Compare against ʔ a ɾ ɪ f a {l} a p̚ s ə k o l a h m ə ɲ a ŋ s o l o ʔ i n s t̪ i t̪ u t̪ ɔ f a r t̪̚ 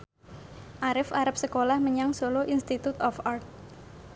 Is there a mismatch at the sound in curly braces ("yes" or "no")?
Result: yes